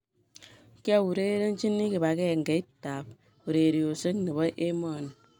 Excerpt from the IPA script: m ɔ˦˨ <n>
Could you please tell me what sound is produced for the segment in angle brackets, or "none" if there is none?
n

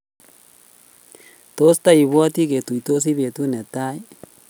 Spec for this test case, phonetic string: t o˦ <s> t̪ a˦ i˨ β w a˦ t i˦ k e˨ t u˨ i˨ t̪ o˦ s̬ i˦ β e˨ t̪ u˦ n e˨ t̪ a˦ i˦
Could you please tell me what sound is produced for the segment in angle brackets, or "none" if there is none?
s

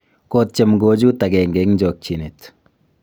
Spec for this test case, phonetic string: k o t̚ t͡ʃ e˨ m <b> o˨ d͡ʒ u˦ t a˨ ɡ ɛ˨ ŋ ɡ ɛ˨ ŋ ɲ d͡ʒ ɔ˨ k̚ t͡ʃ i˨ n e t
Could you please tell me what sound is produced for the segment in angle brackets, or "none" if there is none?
ɡ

